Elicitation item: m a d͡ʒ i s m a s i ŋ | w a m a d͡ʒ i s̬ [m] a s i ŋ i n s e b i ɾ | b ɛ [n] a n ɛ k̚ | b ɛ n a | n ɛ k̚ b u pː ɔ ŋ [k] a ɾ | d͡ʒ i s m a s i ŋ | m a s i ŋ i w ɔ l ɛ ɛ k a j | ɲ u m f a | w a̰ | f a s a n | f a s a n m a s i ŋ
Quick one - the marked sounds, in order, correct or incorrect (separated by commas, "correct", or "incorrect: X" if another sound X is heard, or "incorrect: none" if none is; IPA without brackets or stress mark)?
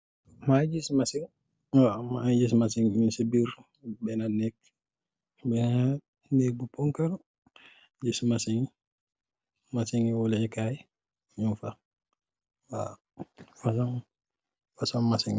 correct, correct, correct